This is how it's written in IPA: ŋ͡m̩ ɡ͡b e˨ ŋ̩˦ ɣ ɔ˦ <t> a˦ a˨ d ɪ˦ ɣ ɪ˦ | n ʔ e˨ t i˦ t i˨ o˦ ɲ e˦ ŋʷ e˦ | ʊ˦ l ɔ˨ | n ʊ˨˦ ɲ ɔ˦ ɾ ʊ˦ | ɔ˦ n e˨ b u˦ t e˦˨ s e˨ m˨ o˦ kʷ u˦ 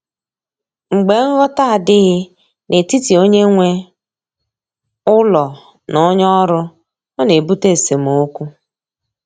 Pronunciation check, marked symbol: correct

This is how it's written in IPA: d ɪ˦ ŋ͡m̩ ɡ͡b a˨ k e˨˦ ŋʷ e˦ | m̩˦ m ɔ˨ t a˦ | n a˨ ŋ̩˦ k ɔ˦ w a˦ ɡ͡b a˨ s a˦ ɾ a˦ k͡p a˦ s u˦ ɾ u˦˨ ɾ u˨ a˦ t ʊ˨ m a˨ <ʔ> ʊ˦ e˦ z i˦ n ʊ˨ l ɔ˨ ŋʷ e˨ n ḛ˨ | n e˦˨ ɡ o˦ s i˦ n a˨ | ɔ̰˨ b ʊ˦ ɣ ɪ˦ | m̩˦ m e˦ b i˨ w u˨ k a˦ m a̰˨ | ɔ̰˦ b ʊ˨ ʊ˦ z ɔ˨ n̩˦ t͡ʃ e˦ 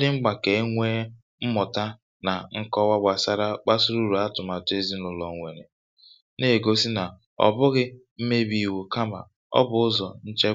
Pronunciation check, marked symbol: incorrect: t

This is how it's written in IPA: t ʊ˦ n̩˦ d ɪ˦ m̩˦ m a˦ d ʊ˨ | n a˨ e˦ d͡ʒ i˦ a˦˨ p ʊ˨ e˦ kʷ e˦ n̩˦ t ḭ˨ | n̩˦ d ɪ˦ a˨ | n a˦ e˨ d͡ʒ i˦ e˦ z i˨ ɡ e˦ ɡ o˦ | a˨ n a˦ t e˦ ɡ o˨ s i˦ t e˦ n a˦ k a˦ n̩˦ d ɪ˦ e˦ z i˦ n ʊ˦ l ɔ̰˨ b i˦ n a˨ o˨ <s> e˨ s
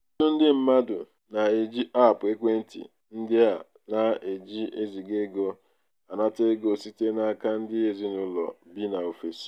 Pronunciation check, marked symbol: incorrect: f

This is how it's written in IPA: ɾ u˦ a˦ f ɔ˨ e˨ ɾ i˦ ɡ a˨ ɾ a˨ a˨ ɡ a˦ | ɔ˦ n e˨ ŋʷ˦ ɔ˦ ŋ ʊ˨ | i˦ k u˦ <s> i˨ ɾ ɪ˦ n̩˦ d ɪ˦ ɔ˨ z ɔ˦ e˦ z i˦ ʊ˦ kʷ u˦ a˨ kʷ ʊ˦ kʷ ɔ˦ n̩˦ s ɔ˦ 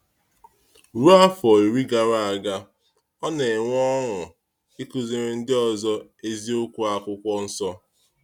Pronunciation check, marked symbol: incorrect: z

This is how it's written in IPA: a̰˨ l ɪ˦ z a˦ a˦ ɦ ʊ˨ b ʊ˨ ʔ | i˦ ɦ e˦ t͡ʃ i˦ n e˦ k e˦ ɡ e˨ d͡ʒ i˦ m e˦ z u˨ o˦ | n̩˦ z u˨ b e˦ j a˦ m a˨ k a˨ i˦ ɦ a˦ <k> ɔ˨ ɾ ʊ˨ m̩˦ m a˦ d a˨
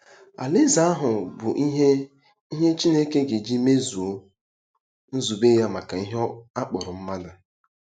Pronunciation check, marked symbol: incorrect: k͡p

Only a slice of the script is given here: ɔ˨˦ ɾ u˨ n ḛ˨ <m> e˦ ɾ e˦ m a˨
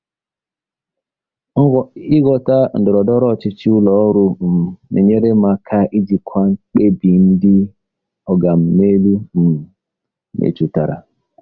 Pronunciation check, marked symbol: incorrect: ɲ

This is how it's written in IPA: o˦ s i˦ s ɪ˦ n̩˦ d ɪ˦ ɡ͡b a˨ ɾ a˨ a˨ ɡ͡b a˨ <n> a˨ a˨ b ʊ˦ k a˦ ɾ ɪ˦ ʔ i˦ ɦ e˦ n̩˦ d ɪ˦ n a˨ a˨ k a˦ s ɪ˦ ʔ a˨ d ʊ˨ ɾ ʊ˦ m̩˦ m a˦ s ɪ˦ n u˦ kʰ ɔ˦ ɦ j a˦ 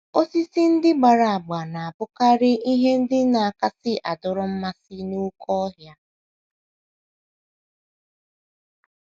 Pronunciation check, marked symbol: correct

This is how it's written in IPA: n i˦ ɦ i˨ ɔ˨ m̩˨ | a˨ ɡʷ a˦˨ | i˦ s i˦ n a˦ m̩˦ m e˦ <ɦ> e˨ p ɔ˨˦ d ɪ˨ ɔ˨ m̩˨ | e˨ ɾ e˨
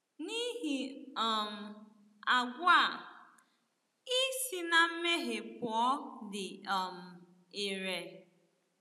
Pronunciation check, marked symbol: correct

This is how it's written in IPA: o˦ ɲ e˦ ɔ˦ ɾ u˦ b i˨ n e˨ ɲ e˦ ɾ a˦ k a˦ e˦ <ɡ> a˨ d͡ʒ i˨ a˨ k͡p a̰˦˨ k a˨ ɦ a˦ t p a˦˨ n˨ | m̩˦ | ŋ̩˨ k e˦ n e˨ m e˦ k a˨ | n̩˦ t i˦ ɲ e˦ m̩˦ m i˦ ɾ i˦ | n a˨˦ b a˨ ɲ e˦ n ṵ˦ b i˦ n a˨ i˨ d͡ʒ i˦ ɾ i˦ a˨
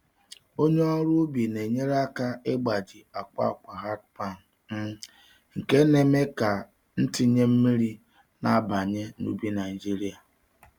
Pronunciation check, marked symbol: incorrect: ɡ͡b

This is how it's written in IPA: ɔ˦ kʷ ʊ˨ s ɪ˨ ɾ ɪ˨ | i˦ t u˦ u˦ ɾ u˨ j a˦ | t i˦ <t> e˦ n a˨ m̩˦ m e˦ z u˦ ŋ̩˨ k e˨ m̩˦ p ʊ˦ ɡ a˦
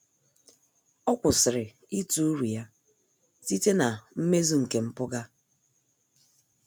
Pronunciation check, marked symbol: correct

